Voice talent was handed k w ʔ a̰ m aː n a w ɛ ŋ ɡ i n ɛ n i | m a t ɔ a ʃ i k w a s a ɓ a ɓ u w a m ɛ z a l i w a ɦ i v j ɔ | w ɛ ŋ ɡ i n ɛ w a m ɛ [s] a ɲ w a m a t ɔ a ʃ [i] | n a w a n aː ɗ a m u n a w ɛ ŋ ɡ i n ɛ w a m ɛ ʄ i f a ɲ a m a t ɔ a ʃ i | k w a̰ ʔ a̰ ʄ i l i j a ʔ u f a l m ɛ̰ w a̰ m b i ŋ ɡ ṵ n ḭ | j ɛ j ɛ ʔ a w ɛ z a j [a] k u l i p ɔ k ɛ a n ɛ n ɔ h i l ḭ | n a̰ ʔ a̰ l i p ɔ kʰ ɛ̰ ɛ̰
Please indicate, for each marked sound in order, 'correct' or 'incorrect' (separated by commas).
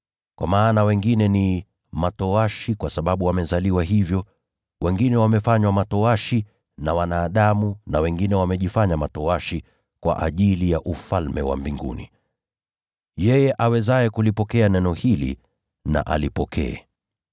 incorrect, correct, incorrect